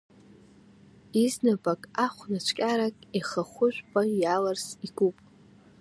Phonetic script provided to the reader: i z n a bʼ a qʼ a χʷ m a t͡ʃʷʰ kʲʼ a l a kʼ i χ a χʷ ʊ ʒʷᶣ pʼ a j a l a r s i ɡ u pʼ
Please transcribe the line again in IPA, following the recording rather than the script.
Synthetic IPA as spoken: i z n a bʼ a kʼ a χʷ n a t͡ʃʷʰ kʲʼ a ɾ a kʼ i χ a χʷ ʊ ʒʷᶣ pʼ a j a l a r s i ɡ u pʼ

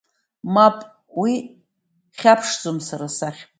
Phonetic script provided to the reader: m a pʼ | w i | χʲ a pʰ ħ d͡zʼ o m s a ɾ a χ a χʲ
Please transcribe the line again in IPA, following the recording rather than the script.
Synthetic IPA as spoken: m a pʼ | w i | χʲ a pʰ ʂ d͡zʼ o m s a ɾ a s a χʲ

